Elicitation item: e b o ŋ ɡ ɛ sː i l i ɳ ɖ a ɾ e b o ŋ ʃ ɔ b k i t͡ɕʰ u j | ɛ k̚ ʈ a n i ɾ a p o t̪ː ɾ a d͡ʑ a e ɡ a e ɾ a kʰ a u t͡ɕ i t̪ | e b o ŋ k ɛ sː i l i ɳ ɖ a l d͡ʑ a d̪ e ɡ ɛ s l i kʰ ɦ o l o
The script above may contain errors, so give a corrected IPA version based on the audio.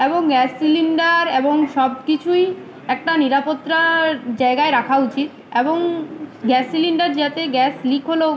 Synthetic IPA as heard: e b o ŋ ɡ ɛ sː i l i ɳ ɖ a ɾ e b o ŋ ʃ ɔ b k i t͡ɕʰ u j | ɛ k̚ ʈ a n i ɾ a p o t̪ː ɾ a d͡ʑ a e ɡ a e ɾ a kʰ a u t͡ɕ i t̪ | e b o ŋ ɡ ɛ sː i l i ɳ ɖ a ɾ d͡ʑ a t̪ e ɡ ɛ s l i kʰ ɦ o l o